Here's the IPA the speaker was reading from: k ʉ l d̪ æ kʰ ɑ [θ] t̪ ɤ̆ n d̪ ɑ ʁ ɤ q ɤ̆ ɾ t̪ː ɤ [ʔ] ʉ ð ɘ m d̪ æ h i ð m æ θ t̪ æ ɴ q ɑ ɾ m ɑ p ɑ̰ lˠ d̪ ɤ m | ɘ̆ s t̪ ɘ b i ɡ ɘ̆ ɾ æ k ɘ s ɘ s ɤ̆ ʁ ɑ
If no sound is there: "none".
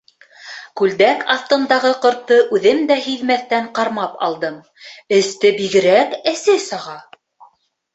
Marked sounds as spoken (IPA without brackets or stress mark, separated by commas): θ, ʔ